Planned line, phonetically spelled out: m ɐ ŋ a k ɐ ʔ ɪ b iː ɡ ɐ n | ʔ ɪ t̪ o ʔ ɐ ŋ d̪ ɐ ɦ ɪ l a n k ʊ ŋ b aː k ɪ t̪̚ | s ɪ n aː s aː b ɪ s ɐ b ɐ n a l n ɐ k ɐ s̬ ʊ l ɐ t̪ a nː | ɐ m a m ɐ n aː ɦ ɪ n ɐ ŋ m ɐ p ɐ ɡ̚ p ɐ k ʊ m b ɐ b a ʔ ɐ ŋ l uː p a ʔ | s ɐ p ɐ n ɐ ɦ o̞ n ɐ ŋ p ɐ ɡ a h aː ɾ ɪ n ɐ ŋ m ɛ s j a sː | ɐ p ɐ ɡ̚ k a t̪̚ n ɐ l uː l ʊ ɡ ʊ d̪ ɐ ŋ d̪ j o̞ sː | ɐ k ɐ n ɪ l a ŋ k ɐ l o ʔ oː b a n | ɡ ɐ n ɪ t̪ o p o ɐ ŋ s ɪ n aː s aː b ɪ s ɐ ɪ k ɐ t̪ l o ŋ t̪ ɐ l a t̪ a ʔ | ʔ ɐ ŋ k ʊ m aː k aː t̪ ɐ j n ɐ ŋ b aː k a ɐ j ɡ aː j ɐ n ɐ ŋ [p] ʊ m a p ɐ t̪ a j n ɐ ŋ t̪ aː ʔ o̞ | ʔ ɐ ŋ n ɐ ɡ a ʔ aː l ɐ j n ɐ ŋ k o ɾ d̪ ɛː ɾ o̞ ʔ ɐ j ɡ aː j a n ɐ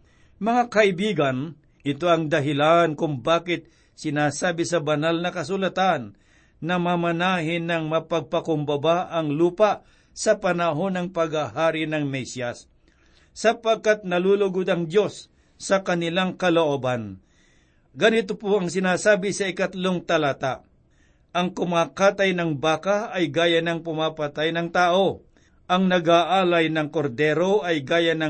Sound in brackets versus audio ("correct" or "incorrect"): correct